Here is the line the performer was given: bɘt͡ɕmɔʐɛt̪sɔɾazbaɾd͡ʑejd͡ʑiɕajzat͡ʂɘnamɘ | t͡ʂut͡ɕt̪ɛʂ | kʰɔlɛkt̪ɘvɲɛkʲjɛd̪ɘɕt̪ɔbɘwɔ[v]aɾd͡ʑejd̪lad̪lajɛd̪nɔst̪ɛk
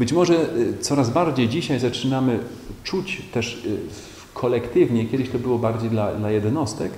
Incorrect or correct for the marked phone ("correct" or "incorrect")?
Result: incorrect